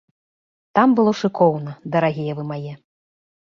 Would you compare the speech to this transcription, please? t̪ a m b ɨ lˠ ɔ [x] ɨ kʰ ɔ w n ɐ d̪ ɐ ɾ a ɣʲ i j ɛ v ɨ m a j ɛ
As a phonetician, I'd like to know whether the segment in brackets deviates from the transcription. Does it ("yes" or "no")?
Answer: yes